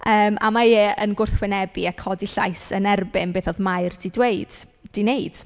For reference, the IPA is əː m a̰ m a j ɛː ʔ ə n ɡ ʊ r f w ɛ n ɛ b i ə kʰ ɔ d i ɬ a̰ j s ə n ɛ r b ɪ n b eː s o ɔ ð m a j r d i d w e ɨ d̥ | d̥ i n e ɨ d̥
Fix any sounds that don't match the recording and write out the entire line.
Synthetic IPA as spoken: əː m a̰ m a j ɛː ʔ ə n ɡ ʊ r θ w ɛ n ɛ b i a kʰ ɔ d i ɬ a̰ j s ə n ɛ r b ɪ n b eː θ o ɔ ð m a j r d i d w e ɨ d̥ | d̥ i n e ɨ d̥